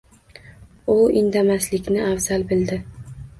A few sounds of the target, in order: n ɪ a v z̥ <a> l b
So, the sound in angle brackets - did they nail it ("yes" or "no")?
yes